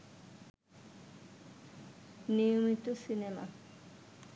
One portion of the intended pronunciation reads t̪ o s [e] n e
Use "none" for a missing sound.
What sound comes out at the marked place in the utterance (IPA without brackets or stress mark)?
i